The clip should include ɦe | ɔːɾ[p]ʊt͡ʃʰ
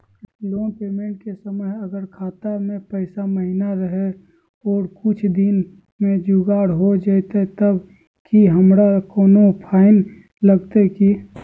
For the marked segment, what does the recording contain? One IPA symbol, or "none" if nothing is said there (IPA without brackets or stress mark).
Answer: k